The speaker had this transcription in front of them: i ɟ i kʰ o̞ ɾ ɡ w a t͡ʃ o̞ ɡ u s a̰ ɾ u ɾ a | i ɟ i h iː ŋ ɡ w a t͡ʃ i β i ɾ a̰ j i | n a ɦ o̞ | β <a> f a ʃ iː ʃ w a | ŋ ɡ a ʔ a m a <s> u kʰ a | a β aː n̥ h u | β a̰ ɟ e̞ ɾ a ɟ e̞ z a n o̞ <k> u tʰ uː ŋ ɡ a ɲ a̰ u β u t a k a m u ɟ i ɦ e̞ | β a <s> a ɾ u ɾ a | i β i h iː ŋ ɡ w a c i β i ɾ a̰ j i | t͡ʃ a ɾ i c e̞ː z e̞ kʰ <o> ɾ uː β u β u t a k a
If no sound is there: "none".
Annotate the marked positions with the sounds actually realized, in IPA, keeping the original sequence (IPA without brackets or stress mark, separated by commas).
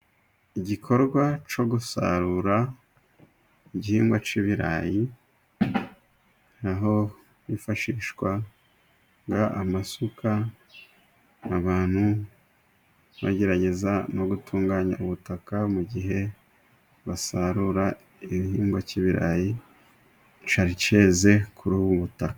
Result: i, s, ɡ, s, u